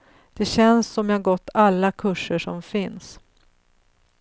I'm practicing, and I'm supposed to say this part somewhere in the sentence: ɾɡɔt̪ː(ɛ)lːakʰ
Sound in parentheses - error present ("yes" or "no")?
yes